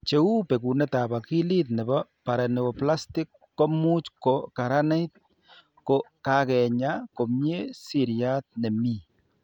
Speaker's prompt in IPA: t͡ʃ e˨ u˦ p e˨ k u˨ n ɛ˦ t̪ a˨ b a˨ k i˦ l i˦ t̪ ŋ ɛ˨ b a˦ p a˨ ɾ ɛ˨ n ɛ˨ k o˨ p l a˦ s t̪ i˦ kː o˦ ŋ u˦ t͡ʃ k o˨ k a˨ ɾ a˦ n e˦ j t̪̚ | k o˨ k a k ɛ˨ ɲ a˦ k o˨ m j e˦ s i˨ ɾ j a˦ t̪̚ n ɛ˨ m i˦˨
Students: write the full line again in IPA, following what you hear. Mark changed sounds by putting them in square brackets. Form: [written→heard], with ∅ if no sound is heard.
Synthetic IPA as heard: t͡ʃ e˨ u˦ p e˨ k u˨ n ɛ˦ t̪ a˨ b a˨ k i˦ l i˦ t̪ [ŋ→n] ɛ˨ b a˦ p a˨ ɾ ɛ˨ n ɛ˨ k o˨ p l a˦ s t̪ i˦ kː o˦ [ŋ→m] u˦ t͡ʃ k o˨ k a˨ ɾ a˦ n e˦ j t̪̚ | k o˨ k a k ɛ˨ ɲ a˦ k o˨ m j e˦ s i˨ ɾ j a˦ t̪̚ n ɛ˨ m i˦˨

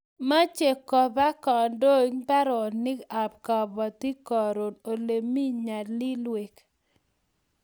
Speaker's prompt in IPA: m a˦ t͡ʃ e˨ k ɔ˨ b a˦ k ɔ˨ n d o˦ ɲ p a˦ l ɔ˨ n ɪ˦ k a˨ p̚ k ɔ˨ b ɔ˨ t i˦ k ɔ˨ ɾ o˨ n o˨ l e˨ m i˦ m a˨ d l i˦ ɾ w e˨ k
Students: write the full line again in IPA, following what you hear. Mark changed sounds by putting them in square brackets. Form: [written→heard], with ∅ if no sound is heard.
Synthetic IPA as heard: m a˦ t͡ʃ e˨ k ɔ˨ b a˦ k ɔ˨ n d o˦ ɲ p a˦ [l→ɾ] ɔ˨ n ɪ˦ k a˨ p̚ k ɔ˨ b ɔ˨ t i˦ k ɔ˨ ɾ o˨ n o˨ l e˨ m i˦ [m→ɲ] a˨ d l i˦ [ɾ→l] w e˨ k

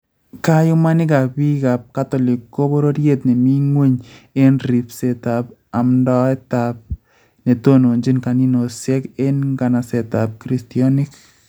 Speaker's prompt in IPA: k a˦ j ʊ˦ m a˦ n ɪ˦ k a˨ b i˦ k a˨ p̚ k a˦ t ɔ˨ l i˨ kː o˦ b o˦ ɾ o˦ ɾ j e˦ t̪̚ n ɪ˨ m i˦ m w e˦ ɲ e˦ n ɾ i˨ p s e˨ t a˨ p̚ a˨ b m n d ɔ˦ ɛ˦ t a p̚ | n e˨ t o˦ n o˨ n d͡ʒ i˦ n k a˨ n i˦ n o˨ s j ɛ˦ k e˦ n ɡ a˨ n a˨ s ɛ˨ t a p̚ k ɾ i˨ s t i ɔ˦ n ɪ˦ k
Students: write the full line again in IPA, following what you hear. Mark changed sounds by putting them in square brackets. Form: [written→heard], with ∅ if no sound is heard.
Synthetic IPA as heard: k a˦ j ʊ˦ m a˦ n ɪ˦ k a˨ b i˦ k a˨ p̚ k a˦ t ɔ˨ l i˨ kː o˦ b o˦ ɾ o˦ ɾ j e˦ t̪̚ n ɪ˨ m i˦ [m→ŋ] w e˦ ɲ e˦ n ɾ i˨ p s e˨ t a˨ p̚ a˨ [b→∅] m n d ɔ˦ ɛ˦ t a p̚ | n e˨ t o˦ n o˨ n d͡ʒ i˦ n k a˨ n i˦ n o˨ s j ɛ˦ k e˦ n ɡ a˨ n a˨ s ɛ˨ t a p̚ k ɾ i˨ s t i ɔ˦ n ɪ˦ k

